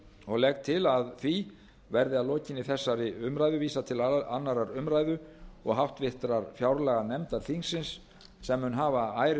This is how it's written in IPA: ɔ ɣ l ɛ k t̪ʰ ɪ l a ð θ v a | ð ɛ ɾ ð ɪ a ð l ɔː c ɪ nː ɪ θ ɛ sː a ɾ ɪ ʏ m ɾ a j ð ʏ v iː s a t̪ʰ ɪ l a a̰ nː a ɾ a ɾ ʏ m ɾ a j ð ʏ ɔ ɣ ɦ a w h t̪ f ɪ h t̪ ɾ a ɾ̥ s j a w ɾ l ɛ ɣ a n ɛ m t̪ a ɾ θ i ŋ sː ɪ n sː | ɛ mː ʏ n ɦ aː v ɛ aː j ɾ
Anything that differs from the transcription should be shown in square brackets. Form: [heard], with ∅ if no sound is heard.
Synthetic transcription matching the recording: ɔ ɣ l ɛ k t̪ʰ ɪ l a ð θ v [i] | [v] ɛ ɾ ð ɪ a ð l ɔː c ɪ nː ɪ θ ɛ sː a ɾ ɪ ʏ m ɾ a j ð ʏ v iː s a t̪ʰ ɪ l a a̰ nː a ɾ a ɾ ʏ m ɾ a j ð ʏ ɔ ɣ ɦ a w h t̪ [v] ɪ h t̪ ɾ a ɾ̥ [f] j a w ɾ l ɛ ɣ a n ɛ m t̪ a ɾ θ i ŋ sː ɪ n sː | ɛ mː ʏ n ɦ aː v [a] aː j ɾ